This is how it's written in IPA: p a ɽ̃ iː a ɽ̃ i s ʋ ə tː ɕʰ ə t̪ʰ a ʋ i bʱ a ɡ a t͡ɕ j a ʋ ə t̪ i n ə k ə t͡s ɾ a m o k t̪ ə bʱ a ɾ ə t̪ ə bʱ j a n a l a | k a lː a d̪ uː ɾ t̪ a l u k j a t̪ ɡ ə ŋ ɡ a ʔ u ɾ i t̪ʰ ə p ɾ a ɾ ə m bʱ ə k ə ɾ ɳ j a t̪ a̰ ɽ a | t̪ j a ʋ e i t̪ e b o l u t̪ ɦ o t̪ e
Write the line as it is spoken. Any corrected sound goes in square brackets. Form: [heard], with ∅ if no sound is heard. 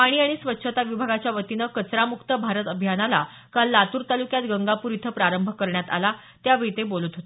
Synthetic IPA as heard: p a ɽ̃ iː a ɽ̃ i s ʋ ə tː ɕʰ ə [t̪] a ʋ i bʱ a ɡ a t͡ɕ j a ʋ ə t̪ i n ə k ə t͡s ɾ a m [u] k t̪ ə bʱ a ɾ ə t̪ ə bʱ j a n a l a | k a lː a [t̪] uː ɾ t̪ a l u k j a t̪ ɡ ə ŋ ɡ a [p] u ɾ i t̪ʰ ə p ɾ a ɾ ə m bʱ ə k ə ɾ ɳ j a t̪ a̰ [l] a | t̪ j a ʋ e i t̪ e b o l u t̪ ɦ o t̪ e